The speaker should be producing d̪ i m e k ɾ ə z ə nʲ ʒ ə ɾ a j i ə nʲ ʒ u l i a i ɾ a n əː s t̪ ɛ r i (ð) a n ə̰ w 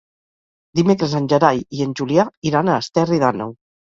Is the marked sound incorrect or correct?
correct